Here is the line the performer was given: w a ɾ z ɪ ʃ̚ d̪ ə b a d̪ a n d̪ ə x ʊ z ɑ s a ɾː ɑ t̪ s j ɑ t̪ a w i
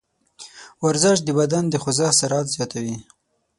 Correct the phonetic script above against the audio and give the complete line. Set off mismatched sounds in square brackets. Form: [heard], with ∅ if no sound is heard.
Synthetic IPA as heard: w a ɾ z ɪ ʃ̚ d̪ ə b a d̪ a n d̪ ə x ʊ z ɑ s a [ɾ] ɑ t̪ [z] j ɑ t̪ a w i